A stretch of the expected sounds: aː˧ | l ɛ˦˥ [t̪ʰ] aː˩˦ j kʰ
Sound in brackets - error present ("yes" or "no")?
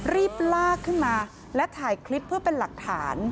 no